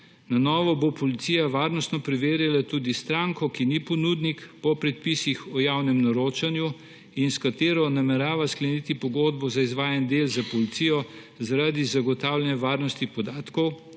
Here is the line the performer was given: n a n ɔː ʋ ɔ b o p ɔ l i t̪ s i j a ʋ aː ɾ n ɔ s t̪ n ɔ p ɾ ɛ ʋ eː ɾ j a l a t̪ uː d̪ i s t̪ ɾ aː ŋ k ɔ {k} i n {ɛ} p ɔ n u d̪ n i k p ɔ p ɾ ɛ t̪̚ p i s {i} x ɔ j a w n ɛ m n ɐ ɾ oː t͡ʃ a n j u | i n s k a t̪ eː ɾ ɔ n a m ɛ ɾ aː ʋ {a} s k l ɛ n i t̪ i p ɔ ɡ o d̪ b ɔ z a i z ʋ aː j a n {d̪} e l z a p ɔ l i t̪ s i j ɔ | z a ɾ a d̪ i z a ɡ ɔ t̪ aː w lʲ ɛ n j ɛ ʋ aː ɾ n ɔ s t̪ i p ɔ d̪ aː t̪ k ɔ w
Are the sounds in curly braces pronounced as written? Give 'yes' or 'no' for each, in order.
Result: yes, no, yes, yes, yes

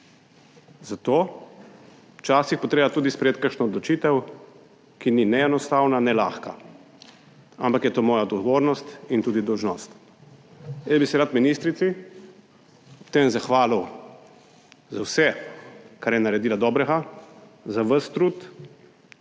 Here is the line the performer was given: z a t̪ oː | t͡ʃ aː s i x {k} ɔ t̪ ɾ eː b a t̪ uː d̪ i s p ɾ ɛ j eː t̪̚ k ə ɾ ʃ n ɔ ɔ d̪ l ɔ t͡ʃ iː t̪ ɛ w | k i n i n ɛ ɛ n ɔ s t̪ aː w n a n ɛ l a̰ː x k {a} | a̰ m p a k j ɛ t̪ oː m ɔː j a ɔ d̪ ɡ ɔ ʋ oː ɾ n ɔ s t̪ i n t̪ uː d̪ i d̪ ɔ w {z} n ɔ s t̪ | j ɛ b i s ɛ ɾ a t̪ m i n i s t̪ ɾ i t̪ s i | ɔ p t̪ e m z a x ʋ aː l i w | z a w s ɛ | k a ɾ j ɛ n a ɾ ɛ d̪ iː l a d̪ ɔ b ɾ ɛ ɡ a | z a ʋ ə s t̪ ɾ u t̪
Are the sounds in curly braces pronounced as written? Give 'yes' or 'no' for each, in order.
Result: no, yes, no

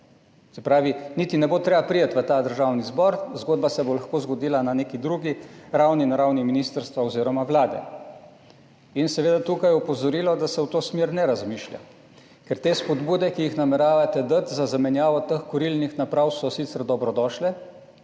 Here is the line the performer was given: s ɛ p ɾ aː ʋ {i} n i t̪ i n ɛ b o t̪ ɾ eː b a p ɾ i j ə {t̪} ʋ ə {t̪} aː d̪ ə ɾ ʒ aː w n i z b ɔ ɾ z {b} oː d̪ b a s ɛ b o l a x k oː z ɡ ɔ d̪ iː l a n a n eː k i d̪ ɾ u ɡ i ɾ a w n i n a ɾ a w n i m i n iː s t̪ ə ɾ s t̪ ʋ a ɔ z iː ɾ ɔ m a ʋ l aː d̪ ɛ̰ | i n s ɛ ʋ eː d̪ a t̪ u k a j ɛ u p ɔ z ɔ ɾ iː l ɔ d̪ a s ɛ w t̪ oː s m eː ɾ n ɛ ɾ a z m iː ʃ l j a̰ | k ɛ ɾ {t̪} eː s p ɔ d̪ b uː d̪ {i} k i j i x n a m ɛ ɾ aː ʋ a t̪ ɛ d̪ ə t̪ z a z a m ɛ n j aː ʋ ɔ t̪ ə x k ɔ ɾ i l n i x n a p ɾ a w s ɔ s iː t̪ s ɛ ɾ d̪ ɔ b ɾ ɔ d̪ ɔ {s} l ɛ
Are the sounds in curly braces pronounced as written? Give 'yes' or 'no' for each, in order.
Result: yes, yes, yes, no, yes, no, no

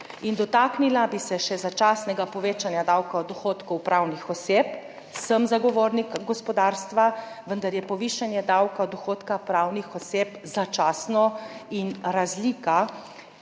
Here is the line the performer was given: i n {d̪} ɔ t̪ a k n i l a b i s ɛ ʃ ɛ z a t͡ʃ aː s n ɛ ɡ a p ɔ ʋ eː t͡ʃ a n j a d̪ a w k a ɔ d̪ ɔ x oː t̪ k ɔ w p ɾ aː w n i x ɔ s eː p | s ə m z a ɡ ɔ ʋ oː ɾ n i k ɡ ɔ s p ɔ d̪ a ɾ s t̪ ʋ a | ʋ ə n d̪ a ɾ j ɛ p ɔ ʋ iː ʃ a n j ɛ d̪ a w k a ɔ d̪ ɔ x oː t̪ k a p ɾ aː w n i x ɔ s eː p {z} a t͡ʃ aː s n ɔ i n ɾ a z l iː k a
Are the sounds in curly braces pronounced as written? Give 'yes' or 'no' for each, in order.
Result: yes, yes

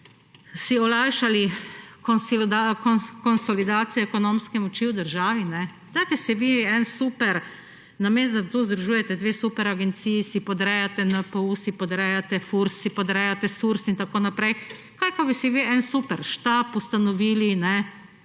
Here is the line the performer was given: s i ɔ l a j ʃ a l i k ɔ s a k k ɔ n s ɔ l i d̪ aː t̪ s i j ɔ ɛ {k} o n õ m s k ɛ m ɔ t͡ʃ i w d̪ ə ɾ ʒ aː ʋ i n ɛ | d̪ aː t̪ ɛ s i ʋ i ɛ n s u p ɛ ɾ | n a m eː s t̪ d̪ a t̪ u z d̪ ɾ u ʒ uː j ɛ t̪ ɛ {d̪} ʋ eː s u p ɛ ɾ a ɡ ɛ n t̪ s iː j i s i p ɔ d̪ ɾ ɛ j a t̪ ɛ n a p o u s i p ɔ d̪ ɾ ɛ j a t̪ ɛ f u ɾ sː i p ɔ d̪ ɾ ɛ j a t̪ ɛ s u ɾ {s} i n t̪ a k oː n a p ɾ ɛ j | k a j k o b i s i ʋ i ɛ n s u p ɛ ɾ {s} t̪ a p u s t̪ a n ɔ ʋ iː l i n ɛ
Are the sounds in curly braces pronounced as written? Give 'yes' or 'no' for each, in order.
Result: yes, yes, yes, no

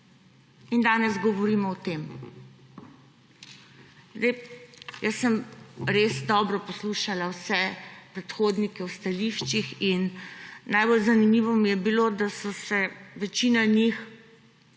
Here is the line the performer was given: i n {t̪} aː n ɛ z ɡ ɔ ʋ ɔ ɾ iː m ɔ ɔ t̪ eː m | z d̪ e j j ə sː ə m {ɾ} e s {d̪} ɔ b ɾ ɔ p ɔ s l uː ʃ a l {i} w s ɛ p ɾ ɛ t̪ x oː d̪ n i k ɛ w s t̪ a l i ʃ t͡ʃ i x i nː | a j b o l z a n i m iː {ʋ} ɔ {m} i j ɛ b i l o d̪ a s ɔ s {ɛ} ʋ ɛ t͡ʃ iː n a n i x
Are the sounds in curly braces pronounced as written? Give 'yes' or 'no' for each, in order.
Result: no, yes, yes, no, yes, yes, yes

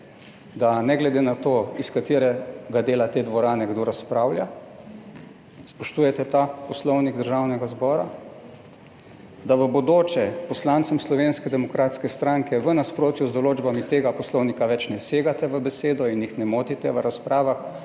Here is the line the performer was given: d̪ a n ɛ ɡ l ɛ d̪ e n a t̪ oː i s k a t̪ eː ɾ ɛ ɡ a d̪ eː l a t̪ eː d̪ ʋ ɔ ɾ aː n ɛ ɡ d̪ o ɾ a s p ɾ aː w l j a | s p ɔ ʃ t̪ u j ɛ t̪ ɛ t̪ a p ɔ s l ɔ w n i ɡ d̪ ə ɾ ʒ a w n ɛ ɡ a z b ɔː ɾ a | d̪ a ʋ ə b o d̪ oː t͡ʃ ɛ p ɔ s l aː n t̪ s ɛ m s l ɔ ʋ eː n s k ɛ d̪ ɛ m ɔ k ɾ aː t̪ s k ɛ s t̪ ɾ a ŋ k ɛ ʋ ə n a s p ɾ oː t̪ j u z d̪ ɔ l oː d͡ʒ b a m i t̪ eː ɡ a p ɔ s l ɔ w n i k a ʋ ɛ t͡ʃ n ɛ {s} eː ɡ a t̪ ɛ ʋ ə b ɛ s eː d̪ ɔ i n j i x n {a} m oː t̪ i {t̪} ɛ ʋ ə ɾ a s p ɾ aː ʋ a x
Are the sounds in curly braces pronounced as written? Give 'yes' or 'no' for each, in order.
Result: yes, no, yes

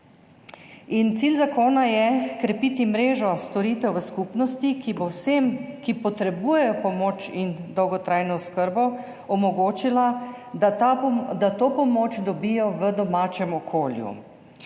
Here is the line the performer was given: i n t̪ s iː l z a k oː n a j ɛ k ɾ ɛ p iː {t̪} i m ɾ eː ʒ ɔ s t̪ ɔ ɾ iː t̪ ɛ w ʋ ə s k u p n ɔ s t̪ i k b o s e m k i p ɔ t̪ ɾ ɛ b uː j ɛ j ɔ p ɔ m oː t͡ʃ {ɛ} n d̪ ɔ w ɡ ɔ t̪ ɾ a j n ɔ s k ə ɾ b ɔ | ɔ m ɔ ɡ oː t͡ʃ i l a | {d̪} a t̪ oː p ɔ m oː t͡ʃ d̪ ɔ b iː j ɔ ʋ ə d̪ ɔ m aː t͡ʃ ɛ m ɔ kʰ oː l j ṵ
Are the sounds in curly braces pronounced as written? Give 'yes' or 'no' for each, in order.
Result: yes, no, yes

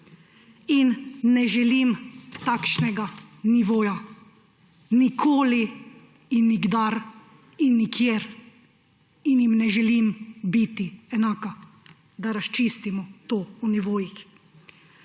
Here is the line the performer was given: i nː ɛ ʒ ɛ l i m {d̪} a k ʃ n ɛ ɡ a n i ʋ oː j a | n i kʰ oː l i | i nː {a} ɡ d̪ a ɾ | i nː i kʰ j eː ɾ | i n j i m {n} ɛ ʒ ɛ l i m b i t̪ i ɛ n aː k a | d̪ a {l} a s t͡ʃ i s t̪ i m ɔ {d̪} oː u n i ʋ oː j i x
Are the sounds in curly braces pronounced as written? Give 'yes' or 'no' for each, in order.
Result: no, no, yes, no, no

